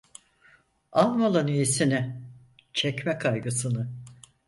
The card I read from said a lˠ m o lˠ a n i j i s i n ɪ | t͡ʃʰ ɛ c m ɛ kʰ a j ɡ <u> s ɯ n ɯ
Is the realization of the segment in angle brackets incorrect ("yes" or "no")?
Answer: yes